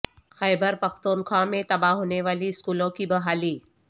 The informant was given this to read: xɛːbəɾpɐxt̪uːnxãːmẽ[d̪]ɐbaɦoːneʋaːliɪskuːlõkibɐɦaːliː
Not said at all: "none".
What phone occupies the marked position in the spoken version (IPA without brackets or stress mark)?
t̪